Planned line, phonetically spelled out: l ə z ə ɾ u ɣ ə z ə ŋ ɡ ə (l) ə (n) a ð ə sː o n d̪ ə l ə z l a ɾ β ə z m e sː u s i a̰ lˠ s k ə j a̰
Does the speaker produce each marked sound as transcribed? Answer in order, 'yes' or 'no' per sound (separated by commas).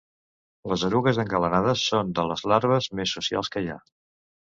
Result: yes, yes